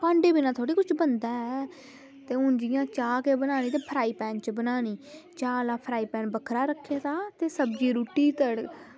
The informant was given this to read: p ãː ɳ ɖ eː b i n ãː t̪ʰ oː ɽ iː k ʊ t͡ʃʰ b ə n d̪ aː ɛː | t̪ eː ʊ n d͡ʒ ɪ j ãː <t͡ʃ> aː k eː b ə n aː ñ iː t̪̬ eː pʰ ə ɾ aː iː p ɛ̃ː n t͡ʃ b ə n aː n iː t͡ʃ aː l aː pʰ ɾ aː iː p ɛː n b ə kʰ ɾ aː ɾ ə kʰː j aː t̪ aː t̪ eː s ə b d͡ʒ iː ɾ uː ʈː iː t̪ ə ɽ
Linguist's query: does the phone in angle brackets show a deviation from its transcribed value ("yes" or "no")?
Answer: no